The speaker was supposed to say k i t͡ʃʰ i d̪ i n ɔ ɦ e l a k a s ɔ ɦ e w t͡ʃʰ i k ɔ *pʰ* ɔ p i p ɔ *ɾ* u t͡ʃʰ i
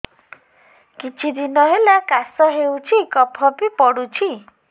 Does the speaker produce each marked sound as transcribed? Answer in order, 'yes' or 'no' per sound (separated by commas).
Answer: yes, no